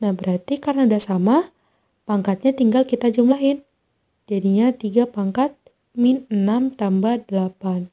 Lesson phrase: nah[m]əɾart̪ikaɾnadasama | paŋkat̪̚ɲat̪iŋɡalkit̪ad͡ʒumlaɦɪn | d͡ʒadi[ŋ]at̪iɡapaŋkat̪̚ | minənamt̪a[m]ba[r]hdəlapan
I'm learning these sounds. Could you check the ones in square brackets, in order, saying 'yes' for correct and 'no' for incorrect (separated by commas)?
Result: no, no, yes, no